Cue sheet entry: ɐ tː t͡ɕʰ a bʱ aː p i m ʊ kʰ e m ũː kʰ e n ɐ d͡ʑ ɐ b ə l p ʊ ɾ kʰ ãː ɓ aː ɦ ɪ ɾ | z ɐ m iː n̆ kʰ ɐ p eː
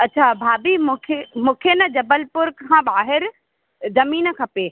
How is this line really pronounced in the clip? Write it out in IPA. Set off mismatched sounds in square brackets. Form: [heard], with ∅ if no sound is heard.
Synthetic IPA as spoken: ɐ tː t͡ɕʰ a bʱ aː [b] i m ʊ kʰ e m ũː kʰ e n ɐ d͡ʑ ɐ b ə l p ʊ ɾ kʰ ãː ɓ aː ɦ ɪ ɾ | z ɐ m iː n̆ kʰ ɐ p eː